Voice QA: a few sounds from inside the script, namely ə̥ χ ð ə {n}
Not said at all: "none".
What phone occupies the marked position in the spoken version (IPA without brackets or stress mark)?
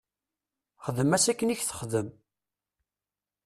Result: m